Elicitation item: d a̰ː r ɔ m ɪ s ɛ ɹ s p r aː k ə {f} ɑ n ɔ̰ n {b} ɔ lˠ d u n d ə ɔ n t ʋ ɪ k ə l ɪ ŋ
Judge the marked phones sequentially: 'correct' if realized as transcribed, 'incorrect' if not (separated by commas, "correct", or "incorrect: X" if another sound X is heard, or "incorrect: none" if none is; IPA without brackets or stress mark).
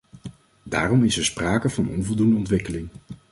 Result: incorrect: v, incorrect: v